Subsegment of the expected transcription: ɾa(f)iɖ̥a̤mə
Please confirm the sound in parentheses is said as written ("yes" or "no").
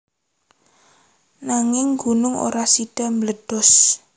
no